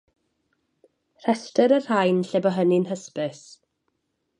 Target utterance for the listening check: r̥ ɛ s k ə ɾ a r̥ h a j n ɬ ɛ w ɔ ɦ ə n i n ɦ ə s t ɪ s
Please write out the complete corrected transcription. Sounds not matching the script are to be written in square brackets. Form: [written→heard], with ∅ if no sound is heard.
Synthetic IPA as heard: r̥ ɛ s [k→t] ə ɾ [a→ə] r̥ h a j n ɬ ɛ [w→b] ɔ ɦ ə n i n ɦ ə s [t→p] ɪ s